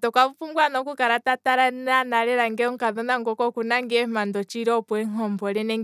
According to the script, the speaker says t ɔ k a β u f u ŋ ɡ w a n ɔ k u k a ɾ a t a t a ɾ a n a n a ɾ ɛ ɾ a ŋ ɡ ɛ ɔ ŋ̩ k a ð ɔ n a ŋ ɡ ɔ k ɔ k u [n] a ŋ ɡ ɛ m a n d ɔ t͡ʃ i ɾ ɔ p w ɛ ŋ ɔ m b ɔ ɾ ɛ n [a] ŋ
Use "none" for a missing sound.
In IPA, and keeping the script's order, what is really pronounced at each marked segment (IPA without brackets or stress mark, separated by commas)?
n, ɛ